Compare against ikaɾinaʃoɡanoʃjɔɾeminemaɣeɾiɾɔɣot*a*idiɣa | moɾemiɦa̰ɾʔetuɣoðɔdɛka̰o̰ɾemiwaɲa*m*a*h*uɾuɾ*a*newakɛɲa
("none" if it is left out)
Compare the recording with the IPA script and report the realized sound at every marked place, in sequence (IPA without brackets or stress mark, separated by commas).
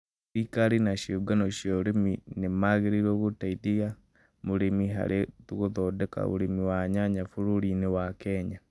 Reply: a, ɲ, f, i